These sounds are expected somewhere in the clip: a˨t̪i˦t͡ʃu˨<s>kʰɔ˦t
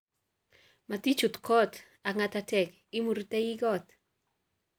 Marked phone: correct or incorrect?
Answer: incorrect